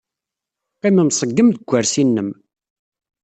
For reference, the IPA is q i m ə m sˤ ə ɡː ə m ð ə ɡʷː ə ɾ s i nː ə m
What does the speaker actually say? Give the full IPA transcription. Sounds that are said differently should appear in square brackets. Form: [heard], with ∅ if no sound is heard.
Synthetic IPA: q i m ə m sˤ ə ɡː ə m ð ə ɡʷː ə ɾ s i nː ə m